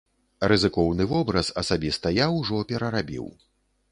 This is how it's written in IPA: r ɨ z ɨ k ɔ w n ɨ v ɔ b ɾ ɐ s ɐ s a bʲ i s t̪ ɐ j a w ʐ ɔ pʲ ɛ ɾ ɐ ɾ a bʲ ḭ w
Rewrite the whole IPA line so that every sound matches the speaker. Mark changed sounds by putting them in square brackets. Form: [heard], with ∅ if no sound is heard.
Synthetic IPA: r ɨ z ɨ k ɔ w n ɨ v ɔ b ɾ ɐ s ɐ s a bʲ i s t̪ ɐ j a w ʐ ɔ pʲ ɛ ɾ ɐ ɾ a bʲ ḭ w